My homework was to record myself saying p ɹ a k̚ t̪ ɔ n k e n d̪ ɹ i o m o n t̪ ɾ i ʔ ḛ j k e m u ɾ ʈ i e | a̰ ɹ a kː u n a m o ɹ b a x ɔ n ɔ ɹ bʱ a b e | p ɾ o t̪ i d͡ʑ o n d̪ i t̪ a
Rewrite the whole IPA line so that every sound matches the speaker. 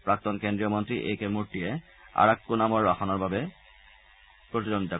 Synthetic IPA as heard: p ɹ a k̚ t̪ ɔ n k e n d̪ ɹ i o m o n t̪ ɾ i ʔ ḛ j k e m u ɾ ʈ i e | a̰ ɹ a kː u n a m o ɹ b a x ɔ n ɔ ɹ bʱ a b e | p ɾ o t̪ i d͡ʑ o n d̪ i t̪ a